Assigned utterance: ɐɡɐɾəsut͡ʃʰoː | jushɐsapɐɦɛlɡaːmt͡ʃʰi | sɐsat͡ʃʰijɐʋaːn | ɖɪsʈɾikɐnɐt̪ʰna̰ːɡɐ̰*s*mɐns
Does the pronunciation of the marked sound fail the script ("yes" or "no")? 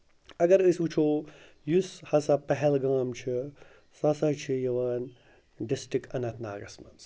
no